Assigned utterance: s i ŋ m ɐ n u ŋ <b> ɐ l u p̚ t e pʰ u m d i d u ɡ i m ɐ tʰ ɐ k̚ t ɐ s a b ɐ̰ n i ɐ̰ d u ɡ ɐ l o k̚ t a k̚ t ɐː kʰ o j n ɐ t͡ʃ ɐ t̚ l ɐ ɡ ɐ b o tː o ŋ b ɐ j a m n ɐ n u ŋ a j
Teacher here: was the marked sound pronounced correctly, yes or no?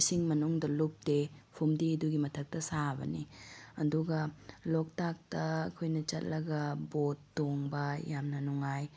no